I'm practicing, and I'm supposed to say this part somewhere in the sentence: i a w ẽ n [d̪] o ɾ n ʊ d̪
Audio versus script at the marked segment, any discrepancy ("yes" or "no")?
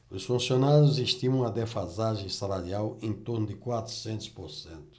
yes